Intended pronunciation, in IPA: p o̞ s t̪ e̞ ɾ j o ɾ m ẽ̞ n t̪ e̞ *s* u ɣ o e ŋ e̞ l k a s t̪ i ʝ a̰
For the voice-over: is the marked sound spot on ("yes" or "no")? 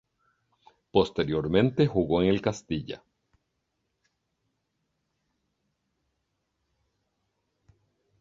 no